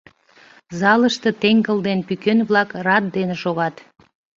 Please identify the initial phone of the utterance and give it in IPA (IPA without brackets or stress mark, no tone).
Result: z